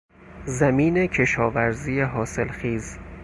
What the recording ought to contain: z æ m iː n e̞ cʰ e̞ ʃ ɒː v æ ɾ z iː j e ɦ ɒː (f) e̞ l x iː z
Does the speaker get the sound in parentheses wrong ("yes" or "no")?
yes